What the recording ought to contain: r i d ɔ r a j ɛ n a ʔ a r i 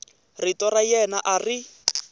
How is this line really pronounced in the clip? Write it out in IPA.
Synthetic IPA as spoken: r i t ɔ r a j ɛ n a ʔ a r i

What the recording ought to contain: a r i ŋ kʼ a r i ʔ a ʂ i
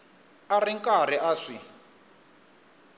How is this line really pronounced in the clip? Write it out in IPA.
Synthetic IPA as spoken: a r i ŋ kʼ a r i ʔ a ʂ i

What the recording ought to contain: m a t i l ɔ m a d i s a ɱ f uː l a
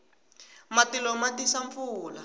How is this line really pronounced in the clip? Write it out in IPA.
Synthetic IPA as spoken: m a t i l ɔ m a t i s a ɱ f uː l a

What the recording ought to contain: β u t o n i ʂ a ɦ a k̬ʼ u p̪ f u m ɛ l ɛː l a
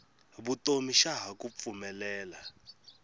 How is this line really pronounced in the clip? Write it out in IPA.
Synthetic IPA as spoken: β u t o m i ʃ a ɦ a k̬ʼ u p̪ f u m ɛ l ɛː l a

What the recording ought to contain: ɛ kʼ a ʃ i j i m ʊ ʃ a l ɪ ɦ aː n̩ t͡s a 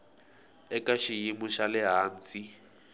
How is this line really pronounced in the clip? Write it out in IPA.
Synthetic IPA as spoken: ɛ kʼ a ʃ i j i m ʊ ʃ a l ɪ ɦ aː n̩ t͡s i

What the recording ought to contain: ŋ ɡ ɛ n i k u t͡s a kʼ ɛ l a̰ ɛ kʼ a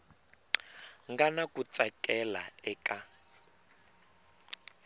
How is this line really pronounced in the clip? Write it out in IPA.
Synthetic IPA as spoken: ŋ ɡ a n a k u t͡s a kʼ ɛ l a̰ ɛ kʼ a

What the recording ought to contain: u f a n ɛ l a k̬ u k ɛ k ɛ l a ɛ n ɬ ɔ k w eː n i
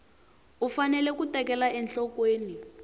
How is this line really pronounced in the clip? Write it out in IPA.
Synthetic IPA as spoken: u f a n ɛ l ɛ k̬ u t ɛ k ɛ l a ɛ n ɬ ɔ k w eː n i

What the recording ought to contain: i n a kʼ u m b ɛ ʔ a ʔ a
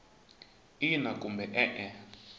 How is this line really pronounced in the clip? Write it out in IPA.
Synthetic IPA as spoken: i n a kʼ u m b ɛ ʔ ɛ ʔ ɛ

